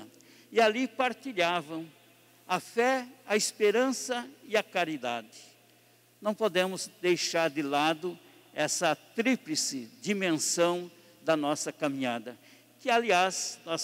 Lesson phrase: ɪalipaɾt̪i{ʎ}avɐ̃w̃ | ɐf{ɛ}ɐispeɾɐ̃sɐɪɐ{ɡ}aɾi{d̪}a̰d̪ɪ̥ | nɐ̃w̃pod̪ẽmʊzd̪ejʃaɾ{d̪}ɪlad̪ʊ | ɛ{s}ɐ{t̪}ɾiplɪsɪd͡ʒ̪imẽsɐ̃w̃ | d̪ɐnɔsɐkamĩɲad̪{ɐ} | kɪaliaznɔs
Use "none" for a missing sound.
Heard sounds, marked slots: ʎ, ɛ, k, d̪, d̪, s, t̪, ɐ

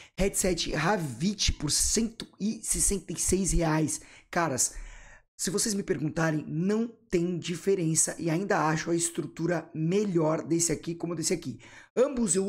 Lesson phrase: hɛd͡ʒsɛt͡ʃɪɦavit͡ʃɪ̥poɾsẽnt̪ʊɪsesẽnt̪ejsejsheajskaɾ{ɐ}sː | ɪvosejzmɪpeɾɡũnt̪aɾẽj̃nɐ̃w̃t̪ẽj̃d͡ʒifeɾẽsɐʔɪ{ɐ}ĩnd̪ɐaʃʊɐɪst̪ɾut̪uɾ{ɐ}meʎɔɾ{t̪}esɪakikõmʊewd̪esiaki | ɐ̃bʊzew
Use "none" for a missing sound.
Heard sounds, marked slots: ɐ, a, ɐ, d̪

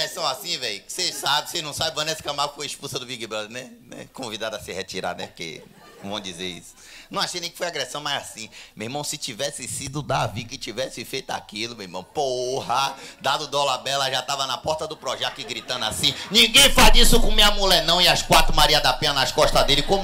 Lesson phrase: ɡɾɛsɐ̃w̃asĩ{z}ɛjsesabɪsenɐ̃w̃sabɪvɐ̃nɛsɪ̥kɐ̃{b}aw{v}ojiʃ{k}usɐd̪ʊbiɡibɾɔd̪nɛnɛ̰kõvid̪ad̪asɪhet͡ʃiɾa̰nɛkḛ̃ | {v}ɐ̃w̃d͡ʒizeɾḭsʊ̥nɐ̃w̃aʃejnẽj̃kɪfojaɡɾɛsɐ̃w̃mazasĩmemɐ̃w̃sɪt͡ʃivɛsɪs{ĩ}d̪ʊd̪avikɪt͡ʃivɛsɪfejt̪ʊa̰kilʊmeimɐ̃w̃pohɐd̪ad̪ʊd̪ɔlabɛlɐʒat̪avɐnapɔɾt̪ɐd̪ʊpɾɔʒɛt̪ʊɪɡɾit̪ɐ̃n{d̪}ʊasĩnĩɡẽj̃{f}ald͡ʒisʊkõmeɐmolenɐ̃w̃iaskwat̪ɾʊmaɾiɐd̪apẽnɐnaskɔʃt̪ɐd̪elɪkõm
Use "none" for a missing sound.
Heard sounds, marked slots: v, m, f, p, v, i, d̪, f

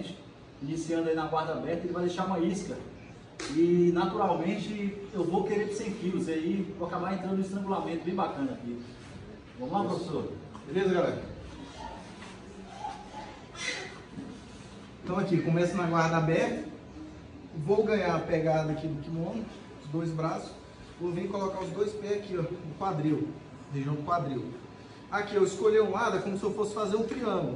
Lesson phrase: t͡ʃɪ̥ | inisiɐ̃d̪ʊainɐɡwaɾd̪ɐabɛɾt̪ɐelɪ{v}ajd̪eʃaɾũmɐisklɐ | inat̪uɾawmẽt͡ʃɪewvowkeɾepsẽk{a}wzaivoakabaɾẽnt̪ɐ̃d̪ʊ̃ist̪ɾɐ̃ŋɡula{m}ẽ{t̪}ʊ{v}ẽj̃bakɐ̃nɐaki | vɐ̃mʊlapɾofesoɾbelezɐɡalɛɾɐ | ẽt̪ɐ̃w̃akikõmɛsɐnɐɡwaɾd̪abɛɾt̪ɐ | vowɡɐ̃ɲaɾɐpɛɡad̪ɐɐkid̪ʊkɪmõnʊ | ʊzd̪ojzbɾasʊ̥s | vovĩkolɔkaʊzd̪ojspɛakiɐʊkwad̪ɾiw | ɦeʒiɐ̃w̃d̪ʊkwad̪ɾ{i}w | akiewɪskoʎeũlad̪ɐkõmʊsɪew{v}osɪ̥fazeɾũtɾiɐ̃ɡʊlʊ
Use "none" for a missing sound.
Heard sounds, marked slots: v, i, m, t̪, b, i, f

